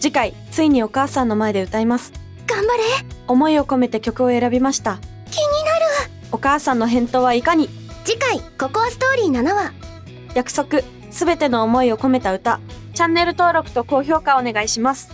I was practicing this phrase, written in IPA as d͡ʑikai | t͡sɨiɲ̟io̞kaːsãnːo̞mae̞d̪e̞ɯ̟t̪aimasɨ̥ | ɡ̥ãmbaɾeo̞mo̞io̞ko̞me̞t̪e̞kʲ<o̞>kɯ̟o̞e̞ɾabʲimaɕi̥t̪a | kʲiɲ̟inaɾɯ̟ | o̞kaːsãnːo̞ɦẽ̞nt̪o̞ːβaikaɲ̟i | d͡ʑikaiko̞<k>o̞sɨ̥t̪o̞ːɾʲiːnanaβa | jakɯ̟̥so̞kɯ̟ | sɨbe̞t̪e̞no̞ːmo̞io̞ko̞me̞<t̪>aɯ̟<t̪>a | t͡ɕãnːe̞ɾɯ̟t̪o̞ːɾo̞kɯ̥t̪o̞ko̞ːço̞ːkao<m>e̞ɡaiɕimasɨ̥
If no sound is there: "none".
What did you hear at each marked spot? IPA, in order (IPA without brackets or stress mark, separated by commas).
o̞, k, t̪, t̪, n